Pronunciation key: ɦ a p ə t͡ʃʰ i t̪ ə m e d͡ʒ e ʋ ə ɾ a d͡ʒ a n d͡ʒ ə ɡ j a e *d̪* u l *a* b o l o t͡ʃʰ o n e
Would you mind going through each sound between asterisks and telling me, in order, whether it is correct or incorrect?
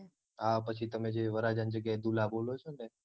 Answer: correct, correct

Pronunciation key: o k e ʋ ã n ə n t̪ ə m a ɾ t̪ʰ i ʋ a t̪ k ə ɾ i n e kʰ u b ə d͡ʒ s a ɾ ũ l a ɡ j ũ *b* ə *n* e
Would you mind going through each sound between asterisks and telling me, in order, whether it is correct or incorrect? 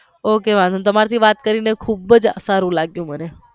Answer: incorrect, correct

